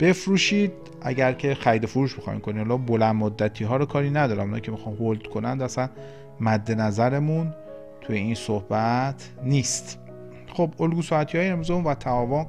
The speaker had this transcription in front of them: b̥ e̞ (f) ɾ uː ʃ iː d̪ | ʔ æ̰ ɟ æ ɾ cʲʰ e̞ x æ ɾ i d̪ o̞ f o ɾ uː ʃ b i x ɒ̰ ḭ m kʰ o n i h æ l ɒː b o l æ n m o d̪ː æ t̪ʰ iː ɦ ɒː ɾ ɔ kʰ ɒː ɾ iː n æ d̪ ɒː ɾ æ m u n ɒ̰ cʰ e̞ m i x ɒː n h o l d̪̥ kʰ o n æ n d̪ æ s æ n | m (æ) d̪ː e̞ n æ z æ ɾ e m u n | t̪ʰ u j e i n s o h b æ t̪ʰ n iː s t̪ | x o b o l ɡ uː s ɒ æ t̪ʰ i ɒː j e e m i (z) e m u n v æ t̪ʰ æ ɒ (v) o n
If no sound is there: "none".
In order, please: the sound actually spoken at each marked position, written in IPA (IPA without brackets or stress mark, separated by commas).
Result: f, æ, z, v